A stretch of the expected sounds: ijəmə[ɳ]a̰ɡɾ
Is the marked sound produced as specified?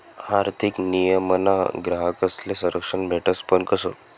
no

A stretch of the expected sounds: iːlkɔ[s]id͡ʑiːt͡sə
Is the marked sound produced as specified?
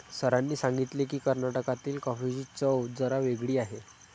no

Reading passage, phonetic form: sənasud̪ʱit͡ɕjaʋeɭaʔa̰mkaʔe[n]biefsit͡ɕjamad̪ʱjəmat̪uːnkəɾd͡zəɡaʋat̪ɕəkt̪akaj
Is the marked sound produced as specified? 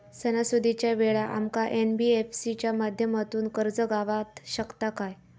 yes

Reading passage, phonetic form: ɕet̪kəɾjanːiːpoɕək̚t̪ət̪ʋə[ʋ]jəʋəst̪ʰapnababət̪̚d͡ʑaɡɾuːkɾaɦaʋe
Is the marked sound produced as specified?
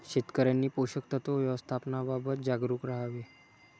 yes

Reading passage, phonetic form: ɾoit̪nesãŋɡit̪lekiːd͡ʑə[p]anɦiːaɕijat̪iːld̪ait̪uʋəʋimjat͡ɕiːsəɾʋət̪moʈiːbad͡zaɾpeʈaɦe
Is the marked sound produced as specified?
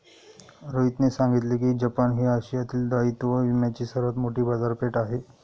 yes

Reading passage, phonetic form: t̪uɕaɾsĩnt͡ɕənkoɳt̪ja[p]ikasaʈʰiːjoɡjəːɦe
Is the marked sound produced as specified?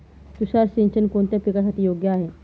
yes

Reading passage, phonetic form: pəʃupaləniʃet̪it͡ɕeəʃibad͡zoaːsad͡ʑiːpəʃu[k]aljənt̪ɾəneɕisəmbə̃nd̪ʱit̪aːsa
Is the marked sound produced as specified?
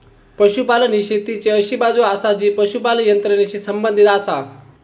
no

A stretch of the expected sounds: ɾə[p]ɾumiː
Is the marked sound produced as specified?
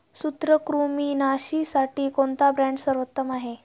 no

